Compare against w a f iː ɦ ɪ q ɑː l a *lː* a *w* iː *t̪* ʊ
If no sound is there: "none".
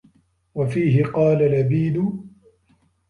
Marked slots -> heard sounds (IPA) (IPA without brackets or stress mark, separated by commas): l, b, d̪